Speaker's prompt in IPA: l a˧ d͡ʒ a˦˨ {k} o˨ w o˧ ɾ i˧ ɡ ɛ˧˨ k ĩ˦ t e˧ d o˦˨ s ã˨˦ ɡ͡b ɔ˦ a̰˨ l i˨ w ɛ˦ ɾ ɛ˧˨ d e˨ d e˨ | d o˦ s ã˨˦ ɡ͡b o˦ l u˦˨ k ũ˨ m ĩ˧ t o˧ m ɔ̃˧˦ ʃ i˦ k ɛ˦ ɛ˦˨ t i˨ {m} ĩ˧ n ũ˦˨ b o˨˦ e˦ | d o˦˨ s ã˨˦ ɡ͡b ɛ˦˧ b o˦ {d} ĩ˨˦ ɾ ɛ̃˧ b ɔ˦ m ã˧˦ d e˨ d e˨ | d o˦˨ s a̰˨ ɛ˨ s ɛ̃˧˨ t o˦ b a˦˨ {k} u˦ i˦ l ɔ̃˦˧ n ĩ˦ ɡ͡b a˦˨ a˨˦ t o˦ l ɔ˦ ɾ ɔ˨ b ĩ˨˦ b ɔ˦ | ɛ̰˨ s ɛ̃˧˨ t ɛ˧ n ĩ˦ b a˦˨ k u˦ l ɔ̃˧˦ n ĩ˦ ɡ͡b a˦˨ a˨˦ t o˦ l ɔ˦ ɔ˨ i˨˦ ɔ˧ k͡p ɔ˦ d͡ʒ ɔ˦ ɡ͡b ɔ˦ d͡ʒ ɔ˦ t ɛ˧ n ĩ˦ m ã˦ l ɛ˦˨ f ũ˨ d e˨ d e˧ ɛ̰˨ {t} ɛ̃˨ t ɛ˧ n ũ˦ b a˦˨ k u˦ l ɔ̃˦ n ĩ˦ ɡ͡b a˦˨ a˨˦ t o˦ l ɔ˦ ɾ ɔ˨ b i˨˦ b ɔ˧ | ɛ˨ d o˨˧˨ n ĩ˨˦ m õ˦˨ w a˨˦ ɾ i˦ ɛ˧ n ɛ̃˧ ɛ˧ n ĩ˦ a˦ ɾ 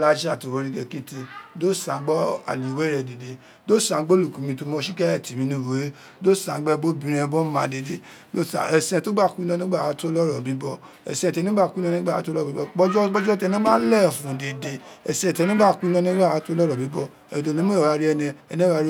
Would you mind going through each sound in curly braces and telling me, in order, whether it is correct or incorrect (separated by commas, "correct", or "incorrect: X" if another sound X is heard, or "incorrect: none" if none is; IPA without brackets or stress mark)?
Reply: incorrect: t, correct, incorrect: b, correct, incorrect: s